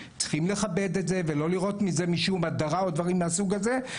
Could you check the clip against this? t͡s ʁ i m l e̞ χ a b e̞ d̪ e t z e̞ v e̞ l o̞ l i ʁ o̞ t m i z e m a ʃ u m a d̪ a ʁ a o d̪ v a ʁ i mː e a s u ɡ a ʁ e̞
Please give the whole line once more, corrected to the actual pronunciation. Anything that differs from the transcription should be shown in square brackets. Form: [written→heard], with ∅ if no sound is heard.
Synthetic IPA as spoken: t͡s [ʁ→χ] i m l e̞ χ a b e̞ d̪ e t z e̞ v e̞ l o̞ l i ʁ o̞ t m i z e m [a→i] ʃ u m a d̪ a ʁ a o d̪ v a ʁ i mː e a s u ɡ a [ʁ→z] e̞